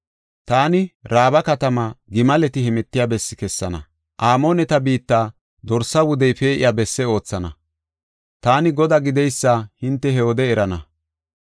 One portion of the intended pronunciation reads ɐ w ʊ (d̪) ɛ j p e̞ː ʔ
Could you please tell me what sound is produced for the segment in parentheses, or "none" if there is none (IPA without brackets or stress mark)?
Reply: d̪